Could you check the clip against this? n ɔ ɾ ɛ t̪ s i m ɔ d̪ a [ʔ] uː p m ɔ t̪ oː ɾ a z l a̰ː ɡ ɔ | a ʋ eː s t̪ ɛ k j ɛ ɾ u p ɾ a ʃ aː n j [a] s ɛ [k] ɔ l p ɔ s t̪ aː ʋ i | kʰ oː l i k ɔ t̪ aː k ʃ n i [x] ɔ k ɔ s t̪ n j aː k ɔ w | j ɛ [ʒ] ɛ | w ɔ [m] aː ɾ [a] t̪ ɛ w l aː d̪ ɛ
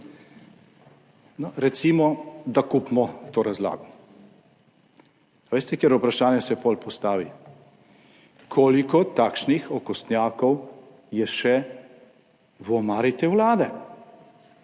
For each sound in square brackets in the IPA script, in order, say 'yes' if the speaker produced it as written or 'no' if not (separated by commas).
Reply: no, no, no, yes, no, yes, no